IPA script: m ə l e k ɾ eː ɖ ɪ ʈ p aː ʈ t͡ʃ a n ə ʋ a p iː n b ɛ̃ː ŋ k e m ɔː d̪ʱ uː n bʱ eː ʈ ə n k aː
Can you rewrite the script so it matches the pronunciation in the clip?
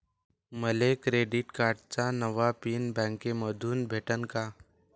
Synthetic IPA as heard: m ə l e k ɾ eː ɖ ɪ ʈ k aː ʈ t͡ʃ a n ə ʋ a p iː n b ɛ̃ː ŋ k e m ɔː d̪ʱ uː n bʱ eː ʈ ə n k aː